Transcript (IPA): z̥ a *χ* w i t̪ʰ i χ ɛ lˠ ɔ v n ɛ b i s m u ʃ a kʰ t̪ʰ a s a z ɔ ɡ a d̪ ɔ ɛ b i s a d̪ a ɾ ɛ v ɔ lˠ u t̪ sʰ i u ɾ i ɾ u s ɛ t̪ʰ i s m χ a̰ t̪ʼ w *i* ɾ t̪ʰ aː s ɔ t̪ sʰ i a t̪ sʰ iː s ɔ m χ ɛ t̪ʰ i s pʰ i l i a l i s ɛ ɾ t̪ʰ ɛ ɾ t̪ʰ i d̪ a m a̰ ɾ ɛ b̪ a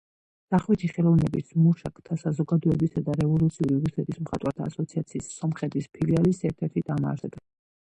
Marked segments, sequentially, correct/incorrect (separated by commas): correct, incorrect